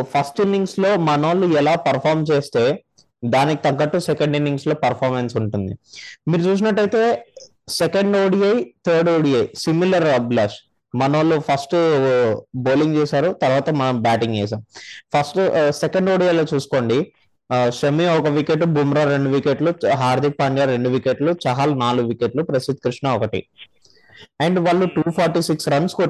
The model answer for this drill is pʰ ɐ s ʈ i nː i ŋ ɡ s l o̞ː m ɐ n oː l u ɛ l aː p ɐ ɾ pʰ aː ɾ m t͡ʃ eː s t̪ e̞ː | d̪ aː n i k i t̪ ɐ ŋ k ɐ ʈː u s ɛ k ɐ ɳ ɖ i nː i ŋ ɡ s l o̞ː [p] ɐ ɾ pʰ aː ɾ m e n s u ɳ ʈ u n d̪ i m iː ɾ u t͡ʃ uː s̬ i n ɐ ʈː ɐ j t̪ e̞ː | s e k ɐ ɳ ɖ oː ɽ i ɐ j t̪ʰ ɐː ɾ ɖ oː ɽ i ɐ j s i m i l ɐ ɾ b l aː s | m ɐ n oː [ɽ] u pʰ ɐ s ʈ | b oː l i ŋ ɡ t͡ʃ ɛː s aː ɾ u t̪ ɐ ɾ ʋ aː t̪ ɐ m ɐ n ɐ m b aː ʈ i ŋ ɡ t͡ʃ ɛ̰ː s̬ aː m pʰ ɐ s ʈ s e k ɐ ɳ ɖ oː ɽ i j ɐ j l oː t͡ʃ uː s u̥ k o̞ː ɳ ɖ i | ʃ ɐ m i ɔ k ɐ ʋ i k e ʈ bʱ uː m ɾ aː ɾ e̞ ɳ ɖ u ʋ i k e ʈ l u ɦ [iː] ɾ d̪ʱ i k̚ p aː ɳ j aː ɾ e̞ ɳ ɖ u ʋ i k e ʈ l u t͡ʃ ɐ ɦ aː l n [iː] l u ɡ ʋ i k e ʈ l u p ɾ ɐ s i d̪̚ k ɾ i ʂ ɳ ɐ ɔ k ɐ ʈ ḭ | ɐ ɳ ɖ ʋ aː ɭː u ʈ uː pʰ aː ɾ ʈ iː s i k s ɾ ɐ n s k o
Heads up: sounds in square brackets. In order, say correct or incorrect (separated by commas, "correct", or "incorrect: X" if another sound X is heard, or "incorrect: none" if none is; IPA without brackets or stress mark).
correct, incorrect: l, incorrect: aː, incorrect: aː